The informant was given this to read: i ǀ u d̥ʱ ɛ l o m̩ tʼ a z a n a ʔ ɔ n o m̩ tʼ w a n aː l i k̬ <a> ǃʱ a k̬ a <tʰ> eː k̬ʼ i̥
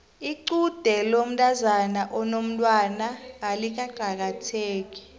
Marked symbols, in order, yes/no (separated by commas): yes, yes